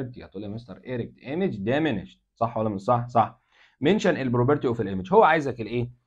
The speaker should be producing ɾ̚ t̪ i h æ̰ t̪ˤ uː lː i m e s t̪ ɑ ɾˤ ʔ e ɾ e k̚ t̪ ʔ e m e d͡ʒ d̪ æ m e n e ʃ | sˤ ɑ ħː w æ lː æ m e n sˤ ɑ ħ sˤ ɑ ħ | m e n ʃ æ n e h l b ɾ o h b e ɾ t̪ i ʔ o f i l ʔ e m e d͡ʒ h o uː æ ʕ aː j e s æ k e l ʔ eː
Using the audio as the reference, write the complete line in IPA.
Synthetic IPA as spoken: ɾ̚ t̪ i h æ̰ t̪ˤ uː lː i m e s t̪ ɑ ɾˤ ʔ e ɾ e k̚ t̪ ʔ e m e d͡ʒ d̪ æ m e n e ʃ | sˤ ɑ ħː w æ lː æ m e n sˤ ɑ ħ sˤ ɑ ħ | m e n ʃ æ n e l b ɾ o b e ɾ t̪ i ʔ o f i l ʔ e m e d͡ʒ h o wː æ ʕ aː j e z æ k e l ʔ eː